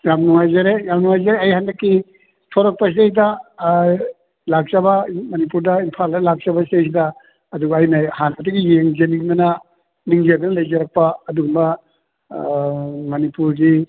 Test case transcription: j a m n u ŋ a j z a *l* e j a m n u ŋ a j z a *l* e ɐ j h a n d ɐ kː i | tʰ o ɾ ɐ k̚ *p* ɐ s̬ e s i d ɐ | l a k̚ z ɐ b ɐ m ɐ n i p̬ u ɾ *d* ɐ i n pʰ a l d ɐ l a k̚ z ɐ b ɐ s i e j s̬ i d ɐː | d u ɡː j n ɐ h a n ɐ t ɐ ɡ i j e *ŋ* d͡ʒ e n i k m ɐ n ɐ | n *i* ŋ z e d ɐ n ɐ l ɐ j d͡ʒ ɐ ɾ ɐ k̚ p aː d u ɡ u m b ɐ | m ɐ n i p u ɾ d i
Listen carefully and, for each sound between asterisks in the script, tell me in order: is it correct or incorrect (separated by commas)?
incorrect, incorrect, correct, correct, correct, correct